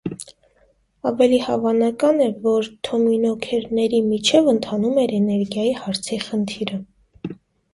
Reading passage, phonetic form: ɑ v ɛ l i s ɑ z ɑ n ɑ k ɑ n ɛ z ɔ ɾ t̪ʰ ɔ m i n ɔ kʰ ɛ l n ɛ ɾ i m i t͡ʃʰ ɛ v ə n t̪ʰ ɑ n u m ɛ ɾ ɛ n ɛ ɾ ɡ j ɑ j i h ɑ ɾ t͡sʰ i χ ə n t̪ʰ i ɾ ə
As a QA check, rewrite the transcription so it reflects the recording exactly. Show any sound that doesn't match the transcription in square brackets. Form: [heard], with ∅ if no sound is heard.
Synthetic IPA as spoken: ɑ v ɛ l i [h] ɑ [v] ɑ n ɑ k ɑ n ɛ [v] ɔ ɾ t̪ʰ ɔ m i n ɔ kʰ ɛ [ɾ] n ɛ ɾ i m i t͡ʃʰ ɛ v ə n t̪ʰ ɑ n u m ɛ ɾ ɛ n ɛ ɾ ɡ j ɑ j i h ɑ ɾ t͡sʰ i χ ə n t̪ʰ i ɾ ə